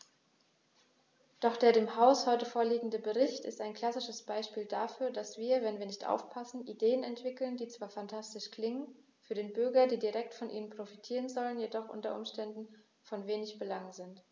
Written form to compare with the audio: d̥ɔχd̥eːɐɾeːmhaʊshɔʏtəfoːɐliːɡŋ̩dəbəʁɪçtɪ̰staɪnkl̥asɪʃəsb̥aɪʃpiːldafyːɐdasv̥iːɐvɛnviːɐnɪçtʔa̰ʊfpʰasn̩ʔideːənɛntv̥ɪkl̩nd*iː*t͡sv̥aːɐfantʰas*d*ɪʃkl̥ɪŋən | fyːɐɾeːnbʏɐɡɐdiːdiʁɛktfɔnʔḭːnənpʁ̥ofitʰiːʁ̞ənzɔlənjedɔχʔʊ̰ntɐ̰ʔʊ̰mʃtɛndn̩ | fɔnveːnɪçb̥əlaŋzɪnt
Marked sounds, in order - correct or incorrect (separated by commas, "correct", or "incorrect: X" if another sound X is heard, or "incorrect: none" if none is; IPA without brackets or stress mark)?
correct, incorrect: t